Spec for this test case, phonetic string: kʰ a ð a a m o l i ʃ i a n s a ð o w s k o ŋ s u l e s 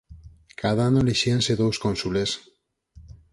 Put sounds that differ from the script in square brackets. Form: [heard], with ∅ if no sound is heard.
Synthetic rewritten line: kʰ a ð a a [n] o l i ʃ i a n s [e] ð o w s k o [n] s u l e s